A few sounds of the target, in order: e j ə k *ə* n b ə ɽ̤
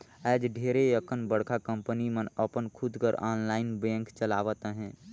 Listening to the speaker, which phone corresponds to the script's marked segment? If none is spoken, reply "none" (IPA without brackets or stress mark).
ə